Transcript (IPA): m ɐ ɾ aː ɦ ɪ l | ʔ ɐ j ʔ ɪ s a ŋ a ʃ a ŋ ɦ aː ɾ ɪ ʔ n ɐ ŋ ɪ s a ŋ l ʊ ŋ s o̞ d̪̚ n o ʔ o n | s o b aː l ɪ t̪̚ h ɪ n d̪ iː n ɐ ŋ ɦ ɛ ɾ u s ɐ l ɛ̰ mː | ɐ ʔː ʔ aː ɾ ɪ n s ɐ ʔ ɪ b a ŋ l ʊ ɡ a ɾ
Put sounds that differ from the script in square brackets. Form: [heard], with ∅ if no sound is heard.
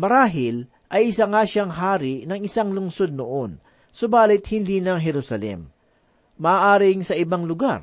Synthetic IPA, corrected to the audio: m ɐ ɾ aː ɦ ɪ l | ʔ ɐ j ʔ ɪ s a ŋ a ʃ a ŋ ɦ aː ɾ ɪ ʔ n ɐ ŋ ɪ s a ŋ l ʊ ŋ s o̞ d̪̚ n o ʔ o n | s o b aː l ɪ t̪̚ h ɪ n d̪ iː n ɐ ŋ ɦ ɛ ɾ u s ɐ l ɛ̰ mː | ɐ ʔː ʔ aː ɾ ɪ [ŋ] s ɐ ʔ ɪ b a ŋ l ʊ ɡ a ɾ